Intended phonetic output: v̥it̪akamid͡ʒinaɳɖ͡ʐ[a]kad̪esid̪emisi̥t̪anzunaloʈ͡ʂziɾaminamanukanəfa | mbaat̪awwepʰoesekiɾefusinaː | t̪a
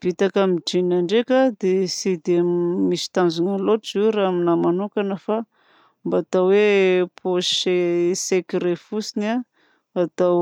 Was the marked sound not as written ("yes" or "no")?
yes